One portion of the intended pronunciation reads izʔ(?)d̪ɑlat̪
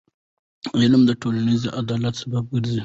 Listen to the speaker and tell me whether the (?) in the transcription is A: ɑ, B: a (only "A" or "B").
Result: B